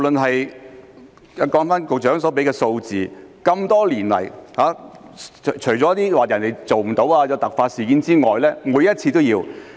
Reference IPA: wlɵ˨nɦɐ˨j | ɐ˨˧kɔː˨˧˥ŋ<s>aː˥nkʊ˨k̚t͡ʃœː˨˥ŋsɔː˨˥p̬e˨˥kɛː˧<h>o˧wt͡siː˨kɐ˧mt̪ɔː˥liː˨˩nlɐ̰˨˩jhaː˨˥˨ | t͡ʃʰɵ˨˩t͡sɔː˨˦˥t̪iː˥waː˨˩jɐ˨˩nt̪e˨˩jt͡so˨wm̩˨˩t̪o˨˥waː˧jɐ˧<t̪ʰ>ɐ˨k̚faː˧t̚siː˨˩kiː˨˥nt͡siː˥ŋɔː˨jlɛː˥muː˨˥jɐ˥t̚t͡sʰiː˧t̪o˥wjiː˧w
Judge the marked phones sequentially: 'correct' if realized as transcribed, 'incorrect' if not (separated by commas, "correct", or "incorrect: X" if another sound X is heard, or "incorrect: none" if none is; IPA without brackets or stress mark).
incorrect: f, incorrect: s, incorrect: t̪